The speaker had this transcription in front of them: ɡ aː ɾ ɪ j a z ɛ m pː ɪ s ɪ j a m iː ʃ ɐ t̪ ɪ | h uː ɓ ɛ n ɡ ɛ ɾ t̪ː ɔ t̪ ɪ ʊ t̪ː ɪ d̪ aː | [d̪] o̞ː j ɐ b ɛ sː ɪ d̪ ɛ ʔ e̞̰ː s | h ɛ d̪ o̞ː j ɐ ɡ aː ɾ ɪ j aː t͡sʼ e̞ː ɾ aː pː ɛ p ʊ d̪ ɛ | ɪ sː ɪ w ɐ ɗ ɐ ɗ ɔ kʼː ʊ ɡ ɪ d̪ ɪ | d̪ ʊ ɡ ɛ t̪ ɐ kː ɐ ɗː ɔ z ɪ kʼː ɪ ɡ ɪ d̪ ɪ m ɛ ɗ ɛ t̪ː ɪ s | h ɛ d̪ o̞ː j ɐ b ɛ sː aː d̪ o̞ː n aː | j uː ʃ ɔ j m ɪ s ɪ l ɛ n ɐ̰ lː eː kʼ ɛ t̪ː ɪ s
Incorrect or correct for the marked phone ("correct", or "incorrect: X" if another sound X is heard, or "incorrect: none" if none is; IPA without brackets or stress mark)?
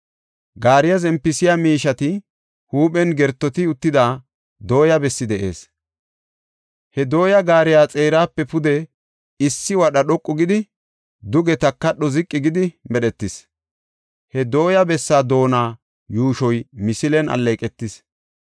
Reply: correct